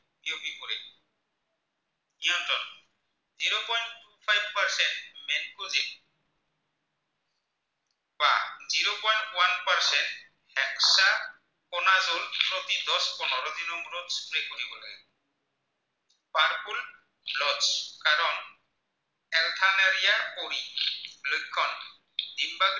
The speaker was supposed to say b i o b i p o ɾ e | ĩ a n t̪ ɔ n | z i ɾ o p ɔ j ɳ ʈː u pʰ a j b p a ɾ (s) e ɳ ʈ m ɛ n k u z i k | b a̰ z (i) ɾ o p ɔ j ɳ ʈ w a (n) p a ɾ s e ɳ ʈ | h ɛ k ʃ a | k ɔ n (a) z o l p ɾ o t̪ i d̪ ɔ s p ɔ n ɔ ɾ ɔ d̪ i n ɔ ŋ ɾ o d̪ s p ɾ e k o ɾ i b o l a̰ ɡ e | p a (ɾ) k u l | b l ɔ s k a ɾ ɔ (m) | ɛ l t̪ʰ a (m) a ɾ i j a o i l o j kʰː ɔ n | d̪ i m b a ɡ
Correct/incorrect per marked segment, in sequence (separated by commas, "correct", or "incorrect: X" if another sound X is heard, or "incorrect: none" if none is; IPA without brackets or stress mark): correct, correct, correct, correct, correct, incorrect: n, incorrect: n